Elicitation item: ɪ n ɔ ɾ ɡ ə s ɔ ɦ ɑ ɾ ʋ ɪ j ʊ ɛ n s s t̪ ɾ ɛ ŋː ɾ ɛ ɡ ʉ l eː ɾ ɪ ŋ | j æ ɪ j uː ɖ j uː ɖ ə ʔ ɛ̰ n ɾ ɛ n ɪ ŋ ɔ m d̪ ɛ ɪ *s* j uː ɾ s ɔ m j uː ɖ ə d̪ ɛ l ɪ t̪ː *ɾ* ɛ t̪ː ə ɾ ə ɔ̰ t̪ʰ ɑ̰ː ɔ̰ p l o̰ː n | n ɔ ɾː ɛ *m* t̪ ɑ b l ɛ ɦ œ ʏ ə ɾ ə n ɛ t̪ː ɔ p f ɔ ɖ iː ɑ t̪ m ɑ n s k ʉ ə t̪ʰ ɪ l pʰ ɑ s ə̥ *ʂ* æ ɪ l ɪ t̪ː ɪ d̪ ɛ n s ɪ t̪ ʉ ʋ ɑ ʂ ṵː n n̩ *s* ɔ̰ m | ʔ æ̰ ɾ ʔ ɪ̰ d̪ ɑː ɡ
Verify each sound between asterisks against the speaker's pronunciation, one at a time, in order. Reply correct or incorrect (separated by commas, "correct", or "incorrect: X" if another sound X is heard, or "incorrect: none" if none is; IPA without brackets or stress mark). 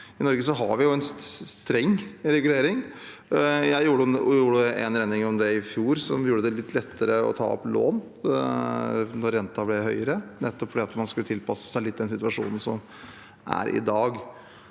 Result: incorrect: f, incorrect: l, incorrect: n, incorrect: s, correct